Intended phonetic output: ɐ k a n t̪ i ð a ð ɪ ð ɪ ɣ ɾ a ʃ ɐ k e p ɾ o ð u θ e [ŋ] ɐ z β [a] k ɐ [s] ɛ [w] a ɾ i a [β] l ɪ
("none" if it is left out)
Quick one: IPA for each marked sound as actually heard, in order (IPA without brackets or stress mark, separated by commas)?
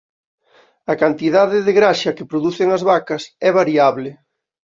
ŋ, a, s, β, β